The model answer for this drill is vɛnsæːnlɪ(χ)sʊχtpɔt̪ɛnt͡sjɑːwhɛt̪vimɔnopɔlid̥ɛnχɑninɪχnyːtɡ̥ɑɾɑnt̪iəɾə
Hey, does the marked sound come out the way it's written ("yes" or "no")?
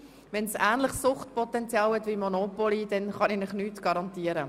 yes